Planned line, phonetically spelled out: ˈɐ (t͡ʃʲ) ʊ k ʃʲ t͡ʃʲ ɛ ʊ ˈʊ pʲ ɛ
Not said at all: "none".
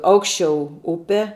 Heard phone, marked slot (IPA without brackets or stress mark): none